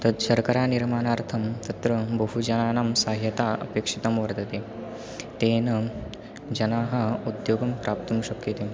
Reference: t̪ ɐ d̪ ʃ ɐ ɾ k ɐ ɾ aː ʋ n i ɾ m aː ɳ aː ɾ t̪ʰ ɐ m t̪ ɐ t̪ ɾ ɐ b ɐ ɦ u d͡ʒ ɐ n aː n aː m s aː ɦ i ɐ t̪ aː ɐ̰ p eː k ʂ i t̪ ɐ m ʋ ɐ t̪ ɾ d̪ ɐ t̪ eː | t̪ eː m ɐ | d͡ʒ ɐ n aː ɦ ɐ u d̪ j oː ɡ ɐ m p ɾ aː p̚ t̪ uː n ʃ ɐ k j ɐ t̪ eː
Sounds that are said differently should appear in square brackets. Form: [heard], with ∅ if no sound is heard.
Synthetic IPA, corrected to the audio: t̪ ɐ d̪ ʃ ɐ ɾ k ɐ ɾ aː [∅] n i ɾ m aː [n] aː ɾ t̪ʰ ɐ m t̪ ɐ t̪ ɾ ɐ b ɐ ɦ u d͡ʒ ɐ n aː n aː m s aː ɦ [j] ɐ t̪ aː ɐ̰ p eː k ʂ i t̪ ɐ m ʋ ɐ [∅] ɾ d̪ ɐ t̪ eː | t̪ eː [n] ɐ | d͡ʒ ɐ n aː ɦ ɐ u d̪ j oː ɡ ɐ m p ɾ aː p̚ t̪ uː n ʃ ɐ k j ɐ t̪ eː